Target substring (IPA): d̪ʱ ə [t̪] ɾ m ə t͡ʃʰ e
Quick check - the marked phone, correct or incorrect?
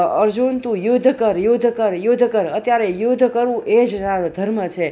incorrect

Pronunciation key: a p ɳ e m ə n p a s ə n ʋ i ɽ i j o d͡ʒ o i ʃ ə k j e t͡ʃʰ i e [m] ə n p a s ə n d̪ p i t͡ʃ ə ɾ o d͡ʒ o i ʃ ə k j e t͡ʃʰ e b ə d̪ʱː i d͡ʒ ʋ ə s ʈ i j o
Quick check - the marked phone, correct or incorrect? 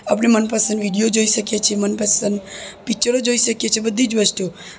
correct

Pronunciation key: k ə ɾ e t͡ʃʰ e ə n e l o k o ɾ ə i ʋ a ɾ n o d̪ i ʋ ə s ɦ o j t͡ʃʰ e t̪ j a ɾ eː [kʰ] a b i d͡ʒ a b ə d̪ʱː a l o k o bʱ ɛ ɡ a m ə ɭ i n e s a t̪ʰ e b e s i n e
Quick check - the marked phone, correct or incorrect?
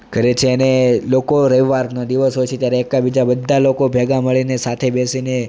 incorrect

